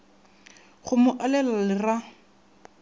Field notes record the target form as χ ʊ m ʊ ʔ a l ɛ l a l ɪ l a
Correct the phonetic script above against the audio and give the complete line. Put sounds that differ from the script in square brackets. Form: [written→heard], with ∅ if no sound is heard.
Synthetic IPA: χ ʊ m ʊ ʔ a l ɛ l a l ɪ [l→r] a